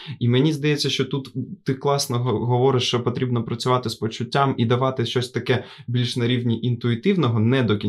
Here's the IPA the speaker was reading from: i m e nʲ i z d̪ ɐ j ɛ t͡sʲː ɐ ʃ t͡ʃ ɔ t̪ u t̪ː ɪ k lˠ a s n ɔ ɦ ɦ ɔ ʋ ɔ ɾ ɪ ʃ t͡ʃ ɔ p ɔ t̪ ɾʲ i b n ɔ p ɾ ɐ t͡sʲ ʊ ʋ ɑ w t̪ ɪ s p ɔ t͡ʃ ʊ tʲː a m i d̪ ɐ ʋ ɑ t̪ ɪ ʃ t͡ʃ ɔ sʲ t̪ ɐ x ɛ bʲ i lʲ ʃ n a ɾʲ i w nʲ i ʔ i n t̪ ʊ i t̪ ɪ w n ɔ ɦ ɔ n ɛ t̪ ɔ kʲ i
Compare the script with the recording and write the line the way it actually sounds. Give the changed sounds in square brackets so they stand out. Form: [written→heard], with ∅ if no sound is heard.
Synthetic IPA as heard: i m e nʲ i z d̪ ɐ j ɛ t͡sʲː ɐ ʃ t͡ʃ ɔ t̪ u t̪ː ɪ k lˠ [a→ɑ] s n ɔ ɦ ɦ ɔ ʋ ɔ ɾ ɪ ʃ t͡ʃ ɔ p ɔ t̪ ɾʲ i b n ɔ p ɾ ɐ t͡sʲ ʊ ʋ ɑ [w→∅] t̪ ɪ s p ɔ t͡ʃ ʊ tʲː a m i d̪ ɐ ʋ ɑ t̪ ɪ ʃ t͡ʃ ɔ sʲ t̪ ɐ [x→k] ɛ bʲ i lʲ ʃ n [a→ɐ] ɾʲ i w nʲ i ʔ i n t̪ ʊ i t̪ ɪ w n ɔ ɦ ɔ n ɛ [t̪→d̪] ɔ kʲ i